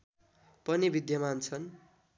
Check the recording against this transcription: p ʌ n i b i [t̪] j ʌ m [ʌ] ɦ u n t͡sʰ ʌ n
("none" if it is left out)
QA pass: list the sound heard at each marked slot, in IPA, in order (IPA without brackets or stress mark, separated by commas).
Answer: d̪, a